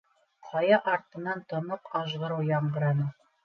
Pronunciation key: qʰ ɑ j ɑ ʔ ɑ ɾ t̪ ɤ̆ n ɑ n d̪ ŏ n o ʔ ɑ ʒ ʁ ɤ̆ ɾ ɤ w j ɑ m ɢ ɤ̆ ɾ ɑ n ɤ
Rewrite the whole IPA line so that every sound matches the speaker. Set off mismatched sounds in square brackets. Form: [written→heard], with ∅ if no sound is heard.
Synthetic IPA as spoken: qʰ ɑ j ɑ ʔ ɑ ɾ t̪ ɤ̆ n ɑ n [d̪→t̪] ŏ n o [ʔ→q] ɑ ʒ ʁ ɤ̆ ɾ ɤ w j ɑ [m→ɴ] ɢ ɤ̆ ɾ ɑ n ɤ